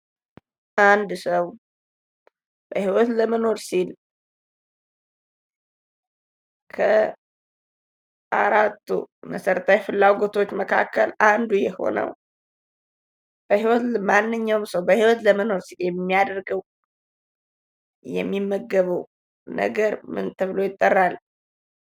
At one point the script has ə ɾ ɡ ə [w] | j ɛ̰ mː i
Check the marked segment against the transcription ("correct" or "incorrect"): correct